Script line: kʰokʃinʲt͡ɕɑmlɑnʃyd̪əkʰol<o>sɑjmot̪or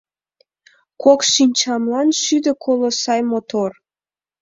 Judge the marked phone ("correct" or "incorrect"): correct